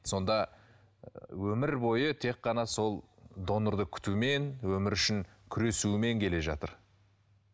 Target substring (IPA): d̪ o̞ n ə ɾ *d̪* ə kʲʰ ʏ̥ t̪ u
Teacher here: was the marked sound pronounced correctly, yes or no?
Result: yes